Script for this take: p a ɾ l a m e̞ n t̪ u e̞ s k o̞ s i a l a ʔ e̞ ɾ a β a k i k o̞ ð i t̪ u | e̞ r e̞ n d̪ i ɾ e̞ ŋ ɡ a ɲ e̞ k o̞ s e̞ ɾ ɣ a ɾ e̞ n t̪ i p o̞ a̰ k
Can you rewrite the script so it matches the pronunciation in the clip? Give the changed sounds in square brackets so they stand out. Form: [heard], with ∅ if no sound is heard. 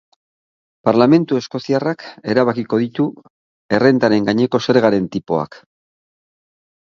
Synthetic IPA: p a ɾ l a m e̞ n t̪ u e̞ s k o̞ s i a [r] a [k] e̞ ɾ a β a k i k o̞ ð i t̪ u | e̞ r e̞ n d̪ [a] ɾ e̞ ŋ ɡ a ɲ e̞ k o̞ s e̞ ɾ ɣ a ɾ e̞ n t̪ i p o̞ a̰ k